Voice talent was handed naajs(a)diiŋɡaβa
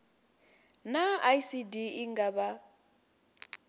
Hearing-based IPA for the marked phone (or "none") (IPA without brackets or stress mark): i